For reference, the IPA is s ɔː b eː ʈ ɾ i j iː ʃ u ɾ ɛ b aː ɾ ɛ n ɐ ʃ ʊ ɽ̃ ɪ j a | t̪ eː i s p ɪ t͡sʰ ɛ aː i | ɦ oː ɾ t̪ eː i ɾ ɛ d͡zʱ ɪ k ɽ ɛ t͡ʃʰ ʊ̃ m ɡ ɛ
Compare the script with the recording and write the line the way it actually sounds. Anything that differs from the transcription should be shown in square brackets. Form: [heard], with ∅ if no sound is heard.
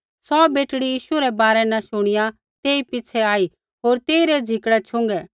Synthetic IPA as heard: s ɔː b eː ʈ [ɽ] i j iː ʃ u ɾ ɛ b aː ɾ ɛ n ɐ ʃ ʊ ɽ̃ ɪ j a | t̪ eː i [∅] p ɪ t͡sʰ ɛ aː i | ɦ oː ɾ t̪ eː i ɾ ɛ d͡zʱ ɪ k ɽ ɛ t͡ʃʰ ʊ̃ [ŋ] ɡ ɛ